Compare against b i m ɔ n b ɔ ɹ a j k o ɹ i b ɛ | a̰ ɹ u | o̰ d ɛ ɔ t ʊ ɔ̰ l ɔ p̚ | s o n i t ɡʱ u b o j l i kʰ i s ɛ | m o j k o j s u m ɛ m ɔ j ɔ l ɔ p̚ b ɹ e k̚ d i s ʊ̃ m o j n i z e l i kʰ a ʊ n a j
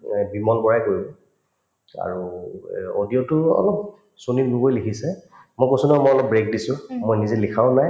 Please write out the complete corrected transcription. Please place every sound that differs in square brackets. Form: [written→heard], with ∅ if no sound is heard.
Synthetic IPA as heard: b i m ɔ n b ɔ ɹ a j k o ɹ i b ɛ | a̰ ɹ u | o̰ d [ɛ→i] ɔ t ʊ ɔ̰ l ɔ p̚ | s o n i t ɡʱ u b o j l i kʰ i s ɛ | m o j k o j s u [m→n] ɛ m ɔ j ɔ l ɔ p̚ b ɹ e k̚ d i s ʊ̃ m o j n i z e l i kʰ a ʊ n a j